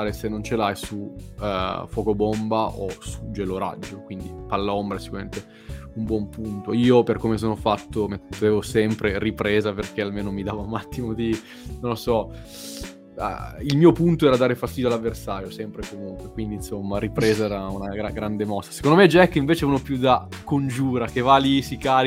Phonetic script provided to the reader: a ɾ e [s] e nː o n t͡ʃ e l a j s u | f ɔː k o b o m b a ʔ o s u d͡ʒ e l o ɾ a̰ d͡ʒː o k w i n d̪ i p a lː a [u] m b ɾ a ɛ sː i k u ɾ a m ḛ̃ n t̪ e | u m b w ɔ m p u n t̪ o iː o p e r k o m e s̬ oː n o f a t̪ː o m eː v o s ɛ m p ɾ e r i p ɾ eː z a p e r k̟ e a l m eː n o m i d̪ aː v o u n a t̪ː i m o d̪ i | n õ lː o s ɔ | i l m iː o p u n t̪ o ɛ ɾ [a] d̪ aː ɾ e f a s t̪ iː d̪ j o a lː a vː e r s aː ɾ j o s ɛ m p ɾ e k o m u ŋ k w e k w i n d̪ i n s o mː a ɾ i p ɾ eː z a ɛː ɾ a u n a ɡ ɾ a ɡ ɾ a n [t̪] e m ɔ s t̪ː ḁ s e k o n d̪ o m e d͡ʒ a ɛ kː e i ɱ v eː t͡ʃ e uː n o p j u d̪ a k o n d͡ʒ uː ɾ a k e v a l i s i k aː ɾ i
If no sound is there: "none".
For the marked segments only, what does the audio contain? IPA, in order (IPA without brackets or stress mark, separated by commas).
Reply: s, o, a, d̪